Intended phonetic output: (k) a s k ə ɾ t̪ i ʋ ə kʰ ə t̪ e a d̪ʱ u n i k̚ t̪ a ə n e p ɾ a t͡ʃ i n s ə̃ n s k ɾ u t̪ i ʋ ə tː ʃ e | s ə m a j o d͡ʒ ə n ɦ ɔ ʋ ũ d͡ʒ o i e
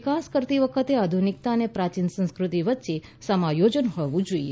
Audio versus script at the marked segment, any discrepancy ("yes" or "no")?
no